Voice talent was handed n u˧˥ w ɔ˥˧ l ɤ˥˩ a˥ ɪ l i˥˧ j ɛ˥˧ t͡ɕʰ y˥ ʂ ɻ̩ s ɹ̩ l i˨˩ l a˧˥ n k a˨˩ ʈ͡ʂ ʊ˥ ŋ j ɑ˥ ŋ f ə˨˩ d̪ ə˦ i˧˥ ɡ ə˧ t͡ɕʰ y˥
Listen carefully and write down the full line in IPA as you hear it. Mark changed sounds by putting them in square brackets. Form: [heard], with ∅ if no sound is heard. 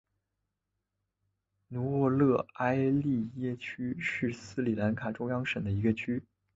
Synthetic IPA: n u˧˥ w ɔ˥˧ l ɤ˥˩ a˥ ɪ l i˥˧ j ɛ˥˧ t͡ɕʰ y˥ ʂ ɻ̩ s ɹ̩ l i˨˩ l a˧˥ n [kʰ] a˨˩ ʈ͡ʂ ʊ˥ ŋ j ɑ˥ ŋ [ʂ] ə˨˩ d̪ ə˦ i˧˥ ɡ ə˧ t͡ɕʰ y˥